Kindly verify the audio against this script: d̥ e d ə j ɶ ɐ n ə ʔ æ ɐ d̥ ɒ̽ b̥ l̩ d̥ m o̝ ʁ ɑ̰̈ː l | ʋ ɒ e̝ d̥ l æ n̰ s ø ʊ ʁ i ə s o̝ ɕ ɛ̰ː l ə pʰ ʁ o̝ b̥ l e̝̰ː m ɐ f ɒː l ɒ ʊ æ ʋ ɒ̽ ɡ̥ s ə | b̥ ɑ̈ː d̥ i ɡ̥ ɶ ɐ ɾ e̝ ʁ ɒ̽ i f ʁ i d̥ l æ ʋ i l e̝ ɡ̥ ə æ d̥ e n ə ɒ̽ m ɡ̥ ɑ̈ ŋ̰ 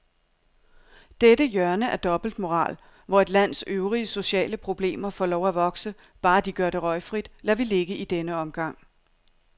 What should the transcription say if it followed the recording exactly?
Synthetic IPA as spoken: d̥ e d ə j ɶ ɐ n ə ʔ æ ɐ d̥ ɒ̽ b̥ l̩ d̥ m o̝ ʁ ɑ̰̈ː l | ʋ ɒ e̝ d̥ l æ n̰ s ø ʊ ʁ i ə s o̝ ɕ ɛ̰ː l ə pʰ ʁ o̝ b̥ l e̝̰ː m ɐ f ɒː l ɒ ʊ æ ʋ ɒ̽ ɡ̥ s ə | b̥ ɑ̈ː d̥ i ɡ̥ ɶ ɐ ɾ e̝ ʁ ɒ̽ ɪ f ʁ i d̥ l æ ʋ i l e̝ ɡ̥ ə i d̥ e n ə ɒ̽ m ɡ̥ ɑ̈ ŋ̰